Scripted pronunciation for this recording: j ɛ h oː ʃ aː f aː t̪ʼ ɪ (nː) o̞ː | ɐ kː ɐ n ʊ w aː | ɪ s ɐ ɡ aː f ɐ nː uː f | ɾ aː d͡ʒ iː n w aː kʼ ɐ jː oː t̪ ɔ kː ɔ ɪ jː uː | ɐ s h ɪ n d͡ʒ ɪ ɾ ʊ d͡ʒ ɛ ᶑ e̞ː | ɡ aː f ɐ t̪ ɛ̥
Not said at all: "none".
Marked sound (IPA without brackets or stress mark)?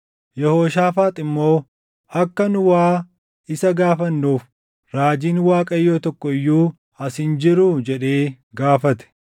mː